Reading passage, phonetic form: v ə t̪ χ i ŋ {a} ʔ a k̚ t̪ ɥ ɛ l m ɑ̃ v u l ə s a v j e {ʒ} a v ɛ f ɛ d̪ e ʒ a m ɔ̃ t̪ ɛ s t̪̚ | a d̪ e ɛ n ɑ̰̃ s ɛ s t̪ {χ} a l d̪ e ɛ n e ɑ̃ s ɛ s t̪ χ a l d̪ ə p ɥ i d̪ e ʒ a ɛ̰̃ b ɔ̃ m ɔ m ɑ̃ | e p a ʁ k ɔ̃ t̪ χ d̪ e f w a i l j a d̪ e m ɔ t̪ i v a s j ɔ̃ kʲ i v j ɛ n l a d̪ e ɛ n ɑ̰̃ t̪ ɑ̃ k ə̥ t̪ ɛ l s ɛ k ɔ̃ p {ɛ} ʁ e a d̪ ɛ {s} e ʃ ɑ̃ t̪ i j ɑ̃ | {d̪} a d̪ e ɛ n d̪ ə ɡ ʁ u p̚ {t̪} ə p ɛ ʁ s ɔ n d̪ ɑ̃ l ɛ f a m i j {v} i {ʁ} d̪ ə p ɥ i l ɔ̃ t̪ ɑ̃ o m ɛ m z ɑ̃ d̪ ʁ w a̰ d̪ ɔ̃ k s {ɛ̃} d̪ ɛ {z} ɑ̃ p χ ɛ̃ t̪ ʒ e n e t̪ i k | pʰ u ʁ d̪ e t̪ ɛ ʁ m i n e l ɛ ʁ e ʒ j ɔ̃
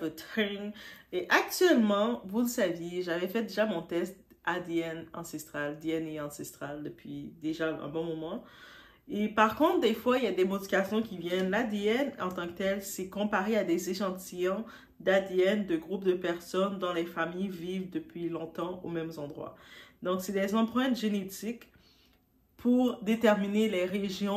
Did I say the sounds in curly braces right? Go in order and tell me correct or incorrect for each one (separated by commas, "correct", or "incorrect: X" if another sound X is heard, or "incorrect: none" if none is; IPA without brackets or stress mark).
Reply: incorrect: e, correct, correct, incorrect: a, incorrect: z, correct, incorrect: d̪, correct, incorrect: v, incorrect: ɛ, correct